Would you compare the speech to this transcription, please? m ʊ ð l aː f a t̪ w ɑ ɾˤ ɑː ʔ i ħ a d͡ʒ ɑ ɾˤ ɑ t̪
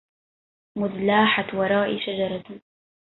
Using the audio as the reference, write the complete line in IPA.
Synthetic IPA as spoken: m ʊ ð l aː ħ a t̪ w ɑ ɾˤ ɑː ʔ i ʃ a d͡ʒ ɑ ɾˤ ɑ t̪